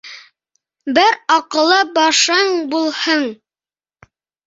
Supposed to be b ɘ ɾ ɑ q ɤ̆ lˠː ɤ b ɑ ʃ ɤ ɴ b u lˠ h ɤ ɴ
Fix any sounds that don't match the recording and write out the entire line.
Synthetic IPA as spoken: b ɘ ɾ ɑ q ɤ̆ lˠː ɤ b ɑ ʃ ɤ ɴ b u lˠ h ɤ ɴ

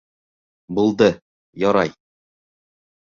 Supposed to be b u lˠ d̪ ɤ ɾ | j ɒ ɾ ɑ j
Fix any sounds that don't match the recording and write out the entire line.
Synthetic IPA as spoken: b u lˠ d̪ ɤ | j ɒ ɾ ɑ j

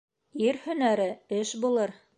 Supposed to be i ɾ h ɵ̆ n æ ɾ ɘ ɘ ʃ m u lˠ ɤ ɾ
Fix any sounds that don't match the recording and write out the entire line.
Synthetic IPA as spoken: i ɾ h ɵ̆ n æ ɾ ɘ ɘ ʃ b u lˠ ɤ ɾ

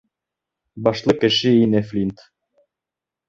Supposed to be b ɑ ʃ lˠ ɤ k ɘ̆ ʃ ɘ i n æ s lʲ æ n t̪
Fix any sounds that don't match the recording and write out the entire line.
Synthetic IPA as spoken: b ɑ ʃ lˠ ɤ k ɘ̆ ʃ ɘ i n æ f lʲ i n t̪

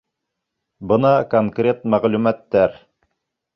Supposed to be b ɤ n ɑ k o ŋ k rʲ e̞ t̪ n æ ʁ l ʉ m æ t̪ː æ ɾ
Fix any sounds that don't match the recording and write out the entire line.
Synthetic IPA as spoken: b ɤ n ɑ k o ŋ k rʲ e̞ t̪ m æ ʁ l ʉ m æ t̪ː æ ɾ

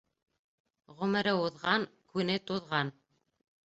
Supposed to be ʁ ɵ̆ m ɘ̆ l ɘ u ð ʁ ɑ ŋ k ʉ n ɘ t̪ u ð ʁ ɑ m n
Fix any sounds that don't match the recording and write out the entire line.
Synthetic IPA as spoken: ʁ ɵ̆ m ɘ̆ ɾ ɘ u ð ʁ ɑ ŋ k ʉ n ɘ t̪ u ð ʁ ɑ n

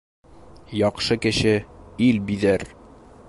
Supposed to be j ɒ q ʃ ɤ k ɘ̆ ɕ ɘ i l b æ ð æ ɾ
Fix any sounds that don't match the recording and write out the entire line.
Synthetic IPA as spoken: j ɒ q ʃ ɤ k ɘ̆ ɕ ɘ i l b i ð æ ɾ

